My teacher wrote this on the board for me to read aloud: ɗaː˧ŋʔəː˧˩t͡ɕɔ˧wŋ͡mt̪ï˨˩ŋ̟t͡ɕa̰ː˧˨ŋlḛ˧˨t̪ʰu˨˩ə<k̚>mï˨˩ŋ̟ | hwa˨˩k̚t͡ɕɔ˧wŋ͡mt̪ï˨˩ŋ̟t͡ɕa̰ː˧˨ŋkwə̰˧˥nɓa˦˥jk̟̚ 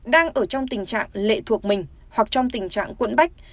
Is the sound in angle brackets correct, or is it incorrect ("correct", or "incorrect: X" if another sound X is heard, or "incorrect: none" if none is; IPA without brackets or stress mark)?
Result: correct